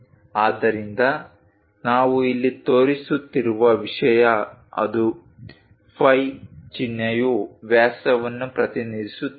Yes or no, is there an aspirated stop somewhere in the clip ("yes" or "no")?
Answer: yes